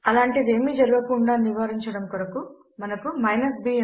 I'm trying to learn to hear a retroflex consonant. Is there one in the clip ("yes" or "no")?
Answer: yes